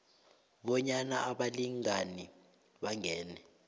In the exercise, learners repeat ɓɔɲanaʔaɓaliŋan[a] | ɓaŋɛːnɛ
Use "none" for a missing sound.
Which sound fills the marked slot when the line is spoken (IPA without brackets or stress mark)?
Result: i